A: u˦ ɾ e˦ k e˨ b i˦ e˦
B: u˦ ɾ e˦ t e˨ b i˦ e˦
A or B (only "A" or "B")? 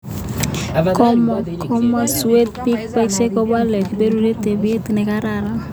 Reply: B